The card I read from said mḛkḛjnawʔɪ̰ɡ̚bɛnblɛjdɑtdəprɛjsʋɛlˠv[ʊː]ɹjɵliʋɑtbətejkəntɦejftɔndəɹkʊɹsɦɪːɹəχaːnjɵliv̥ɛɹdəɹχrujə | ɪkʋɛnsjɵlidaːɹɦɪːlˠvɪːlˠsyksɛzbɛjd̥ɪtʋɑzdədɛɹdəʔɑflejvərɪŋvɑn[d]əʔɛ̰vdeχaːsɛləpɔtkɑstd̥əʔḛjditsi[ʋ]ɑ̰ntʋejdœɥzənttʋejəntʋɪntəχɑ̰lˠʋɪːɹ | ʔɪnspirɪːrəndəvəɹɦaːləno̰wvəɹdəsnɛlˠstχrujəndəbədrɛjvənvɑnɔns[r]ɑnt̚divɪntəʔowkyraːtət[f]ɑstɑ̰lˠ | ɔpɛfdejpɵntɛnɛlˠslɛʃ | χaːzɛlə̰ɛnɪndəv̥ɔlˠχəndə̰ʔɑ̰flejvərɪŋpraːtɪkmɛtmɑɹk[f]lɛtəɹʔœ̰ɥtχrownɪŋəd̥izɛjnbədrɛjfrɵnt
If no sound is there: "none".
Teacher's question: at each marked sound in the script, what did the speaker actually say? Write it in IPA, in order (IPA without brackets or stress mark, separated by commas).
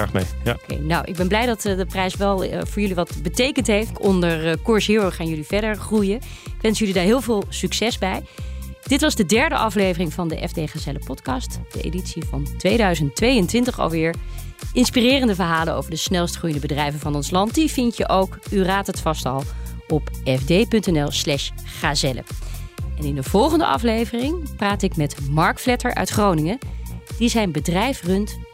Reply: ʊː, d, v, l, f, f